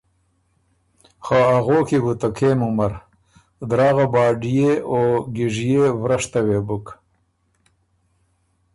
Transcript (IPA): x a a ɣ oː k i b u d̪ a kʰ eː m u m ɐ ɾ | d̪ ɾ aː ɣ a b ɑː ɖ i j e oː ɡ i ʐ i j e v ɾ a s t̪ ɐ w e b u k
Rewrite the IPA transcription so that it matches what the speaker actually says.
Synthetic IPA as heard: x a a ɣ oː k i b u t̪ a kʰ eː m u m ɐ ɾ | d̪ ɾ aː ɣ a b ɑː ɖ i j e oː ɡ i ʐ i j e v ɾ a ʂ t̪ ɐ w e b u k